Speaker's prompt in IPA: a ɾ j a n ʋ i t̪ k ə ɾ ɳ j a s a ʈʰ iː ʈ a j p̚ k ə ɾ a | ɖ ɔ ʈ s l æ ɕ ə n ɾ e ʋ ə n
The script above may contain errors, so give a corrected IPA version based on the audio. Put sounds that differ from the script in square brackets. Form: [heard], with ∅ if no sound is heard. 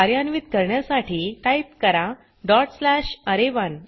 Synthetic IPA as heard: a ɾ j a n ʋ i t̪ k ə ɾ ɳ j a s a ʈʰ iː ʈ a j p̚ k ə ɾ a | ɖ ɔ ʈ s l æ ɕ ə [∅] ɾ e ʋ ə n